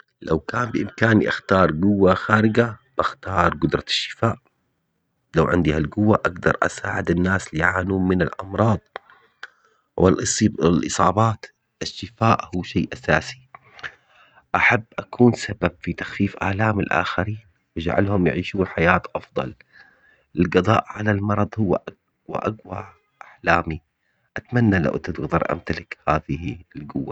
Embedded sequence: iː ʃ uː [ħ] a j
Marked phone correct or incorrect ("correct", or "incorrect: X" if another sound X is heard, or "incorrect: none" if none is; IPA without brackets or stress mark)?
correct